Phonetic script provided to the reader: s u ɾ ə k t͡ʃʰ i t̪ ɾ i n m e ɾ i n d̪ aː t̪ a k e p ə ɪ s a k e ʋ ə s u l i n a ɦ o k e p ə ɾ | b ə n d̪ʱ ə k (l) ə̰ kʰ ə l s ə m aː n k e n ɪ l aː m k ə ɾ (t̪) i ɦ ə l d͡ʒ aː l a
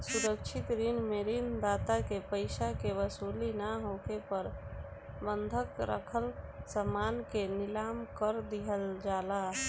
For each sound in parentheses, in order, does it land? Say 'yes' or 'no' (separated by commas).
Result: no, no